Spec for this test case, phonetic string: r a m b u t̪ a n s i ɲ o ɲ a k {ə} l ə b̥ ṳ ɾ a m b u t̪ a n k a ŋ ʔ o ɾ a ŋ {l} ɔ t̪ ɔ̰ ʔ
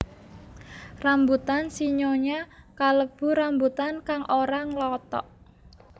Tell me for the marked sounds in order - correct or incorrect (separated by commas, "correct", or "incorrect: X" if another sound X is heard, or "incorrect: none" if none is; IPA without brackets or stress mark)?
incorrect: a, correct